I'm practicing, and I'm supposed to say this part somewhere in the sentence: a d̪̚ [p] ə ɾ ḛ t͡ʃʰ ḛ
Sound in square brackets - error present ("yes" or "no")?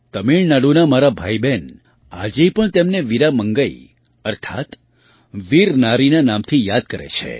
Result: yes